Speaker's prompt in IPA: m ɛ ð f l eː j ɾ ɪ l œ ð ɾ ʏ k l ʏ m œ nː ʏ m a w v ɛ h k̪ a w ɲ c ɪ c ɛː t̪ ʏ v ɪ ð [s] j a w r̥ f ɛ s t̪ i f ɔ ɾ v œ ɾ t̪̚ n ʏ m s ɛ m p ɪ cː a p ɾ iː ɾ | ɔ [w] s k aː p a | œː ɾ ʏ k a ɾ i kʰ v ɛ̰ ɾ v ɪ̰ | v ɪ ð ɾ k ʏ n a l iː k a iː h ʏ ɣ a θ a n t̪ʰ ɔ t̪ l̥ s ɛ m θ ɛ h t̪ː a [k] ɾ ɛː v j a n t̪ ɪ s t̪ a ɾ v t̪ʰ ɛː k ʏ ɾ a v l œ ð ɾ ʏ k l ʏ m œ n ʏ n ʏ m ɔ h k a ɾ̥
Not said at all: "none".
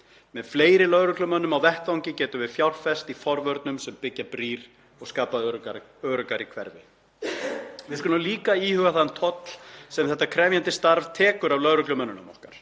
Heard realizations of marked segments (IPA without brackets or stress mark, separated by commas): f, ɣ, kʰ